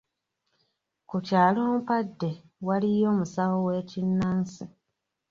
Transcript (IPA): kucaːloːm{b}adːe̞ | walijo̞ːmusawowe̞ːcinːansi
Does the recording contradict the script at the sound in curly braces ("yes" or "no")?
yes